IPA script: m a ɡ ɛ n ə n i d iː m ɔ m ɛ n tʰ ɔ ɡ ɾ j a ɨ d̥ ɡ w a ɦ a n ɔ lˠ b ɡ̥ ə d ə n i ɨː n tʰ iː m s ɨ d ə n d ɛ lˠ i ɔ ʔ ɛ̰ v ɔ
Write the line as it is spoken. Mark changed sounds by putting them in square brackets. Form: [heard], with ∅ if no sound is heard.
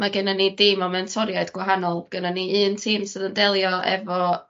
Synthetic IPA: m a ɡ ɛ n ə n i d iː m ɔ m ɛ n tʰ ɔ [∅] ɾ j a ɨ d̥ ɡ w a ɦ a n ɔ lˠ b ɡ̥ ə [n] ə n i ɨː n tʰ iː m s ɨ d ə n d ɛ lˠ [j] ɔ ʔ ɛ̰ v ɔ